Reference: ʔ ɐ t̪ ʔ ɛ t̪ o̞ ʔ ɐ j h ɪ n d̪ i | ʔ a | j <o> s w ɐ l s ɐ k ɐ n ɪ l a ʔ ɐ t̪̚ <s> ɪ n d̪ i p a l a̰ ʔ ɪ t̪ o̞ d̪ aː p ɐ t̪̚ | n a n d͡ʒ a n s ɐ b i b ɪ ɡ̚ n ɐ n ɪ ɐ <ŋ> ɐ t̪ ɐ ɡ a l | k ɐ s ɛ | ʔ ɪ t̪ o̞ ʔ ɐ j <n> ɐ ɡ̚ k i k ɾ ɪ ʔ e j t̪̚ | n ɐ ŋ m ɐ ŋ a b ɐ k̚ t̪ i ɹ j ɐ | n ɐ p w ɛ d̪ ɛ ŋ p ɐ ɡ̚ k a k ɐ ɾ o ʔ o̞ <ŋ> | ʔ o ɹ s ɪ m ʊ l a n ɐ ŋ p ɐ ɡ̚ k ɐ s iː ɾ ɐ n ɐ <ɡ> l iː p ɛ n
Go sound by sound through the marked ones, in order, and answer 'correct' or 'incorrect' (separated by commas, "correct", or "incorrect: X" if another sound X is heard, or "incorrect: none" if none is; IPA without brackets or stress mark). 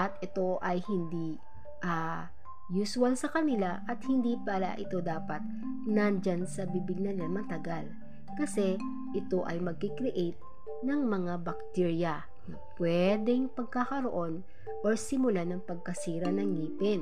incorrect: u, incorrect: h, incorrect: m, incorrect: m, incorrect: n, incorrect: ŋ